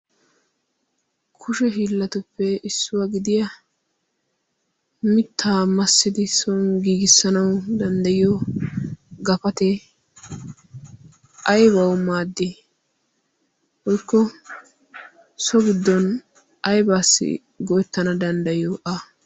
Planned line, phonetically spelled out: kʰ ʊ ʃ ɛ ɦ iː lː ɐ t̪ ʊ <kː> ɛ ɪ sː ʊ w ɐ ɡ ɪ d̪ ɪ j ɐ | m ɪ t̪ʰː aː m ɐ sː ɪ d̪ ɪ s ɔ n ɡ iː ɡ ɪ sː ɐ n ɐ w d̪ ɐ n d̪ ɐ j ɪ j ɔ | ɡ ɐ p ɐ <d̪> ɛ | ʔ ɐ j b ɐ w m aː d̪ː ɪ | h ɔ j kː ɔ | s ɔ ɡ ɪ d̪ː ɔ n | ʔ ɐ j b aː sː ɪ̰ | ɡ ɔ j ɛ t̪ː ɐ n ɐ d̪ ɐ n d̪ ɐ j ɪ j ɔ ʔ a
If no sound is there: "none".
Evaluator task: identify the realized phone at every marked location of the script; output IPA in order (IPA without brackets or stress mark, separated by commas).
pː, t̪